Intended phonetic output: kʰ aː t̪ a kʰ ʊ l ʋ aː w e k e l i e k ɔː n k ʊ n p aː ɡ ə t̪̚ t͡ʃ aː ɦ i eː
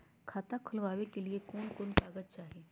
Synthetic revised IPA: kʰ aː t̪ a kʰ ʊ l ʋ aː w e k e l i e k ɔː n k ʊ n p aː ɡ ə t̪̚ t͡ʃ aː ɦ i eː